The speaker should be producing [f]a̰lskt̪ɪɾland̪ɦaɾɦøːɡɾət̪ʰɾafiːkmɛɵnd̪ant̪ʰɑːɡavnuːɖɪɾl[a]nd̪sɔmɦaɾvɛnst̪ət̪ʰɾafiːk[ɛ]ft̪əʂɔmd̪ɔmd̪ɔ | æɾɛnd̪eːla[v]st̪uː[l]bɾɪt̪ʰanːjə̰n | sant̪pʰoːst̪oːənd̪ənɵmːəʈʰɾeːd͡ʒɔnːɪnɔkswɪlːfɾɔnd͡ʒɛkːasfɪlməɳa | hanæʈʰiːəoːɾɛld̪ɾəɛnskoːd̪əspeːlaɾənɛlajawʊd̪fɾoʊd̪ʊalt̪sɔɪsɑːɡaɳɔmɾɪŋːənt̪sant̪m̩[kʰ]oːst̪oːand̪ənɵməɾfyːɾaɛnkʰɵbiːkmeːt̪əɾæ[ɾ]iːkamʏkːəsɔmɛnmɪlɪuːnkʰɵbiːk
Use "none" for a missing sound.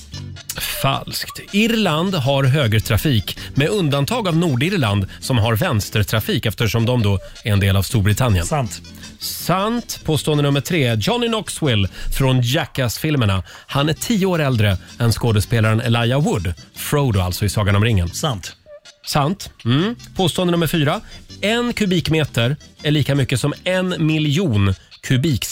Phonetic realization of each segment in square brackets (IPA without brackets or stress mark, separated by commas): f, a, ɛ, v, ɾ, pʰ, ɭ